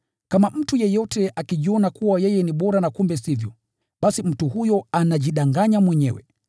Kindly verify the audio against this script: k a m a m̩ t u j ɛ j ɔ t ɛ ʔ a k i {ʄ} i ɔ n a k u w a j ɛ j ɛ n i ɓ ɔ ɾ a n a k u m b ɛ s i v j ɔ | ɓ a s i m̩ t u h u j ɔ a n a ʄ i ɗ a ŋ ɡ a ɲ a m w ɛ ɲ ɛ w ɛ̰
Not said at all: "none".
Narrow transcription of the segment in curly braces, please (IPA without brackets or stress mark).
ʄ